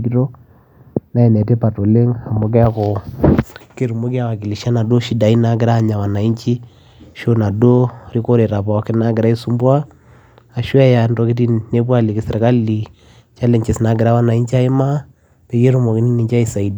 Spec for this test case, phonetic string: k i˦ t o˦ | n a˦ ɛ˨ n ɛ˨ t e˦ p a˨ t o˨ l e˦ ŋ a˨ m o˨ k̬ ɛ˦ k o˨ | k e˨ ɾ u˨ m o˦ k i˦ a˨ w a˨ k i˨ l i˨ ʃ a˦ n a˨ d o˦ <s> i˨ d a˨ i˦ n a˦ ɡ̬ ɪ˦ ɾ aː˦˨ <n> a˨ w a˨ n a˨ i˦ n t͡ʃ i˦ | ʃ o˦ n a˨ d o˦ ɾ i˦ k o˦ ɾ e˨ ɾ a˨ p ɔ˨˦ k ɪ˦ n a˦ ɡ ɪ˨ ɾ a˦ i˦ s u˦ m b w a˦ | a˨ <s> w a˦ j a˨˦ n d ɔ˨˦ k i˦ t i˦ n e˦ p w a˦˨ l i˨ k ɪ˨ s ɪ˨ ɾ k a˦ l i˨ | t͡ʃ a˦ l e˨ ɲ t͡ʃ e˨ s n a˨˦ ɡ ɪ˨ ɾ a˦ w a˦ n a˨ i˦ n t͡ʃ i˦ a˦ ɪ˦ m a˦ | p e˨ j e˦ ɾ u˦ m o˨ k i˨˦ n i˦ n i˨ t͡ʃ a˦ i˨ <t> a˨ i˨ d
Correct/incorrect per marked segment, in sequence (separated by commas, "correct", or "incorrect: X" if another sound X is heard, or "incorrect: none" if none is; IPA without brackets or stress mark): incorrect: ʃ, incorrect: ɲ, incorrect: ʃ, incorrect: s